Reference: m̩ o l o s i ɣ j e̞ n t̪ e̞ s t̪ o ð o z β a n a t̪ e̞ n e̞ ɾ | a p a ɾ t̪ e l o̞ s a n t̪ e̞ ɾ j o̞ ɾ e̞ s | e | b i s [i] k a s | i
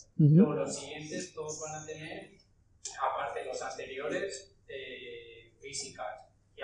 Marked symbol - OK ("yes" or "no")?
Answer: yes